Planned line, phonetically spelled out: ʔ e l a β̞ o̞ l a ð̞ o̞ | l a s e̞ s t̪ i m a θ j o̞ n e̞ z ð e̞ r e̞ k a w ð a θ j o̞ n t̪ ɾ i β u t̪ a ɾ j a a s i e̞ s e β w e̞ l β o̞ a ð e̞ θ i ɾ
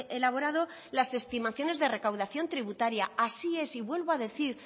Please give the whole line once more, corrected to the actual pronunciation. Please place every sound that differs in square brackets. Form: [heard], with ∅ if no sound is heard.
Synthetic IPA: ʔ e l a β̞ o̞ [ɾ] a ð̞ o̞ | l a s e̞ s t̪ i m a θ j o̞ n e̞ z ð e̞ r e̞ k a w ð a θ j o̞ n t̪ ɾ i β u t̪ a ɾ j a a s i e̞ s [i] β w e̞ l β o̞ a ð e̞ θ i ɾ